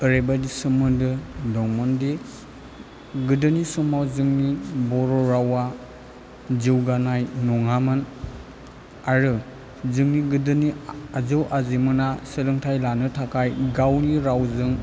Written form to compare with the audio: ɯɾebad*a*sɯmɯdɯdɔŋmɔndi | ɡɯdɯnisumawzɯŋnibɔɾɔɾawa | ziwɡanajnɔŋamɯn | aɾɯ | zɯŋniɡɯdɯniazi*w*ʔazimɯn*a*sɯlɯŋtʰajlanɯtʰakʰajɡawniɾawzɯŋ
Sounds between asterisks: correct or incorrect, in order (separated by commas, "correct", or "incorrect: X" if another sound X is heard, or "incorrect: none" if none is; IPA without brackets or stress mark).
incorrect: i, correct, correct